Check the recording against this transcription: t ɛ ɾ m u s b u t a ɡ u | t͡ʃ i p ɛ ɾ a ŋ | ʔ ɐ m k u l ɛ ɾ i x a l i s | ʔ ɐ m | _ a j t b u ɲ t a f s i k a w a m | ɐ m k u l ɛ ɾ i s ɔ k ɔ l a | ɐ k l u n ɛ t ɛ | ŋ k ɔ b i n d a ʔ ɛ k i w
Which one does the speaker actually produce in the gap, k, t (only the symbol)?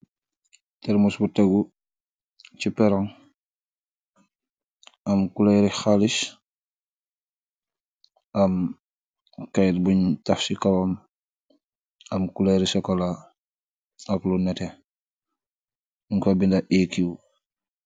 k